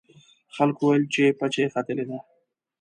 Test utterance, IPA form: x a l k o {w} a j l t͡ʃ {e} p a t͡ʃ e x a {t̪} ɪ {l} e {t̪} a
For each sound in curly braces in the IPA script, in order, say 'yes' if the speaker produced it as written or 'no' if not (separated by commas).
yes, yes, yes, yes, no